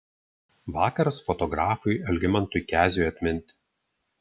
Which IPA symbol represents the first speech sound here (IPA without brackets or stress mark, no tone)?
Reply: ʋ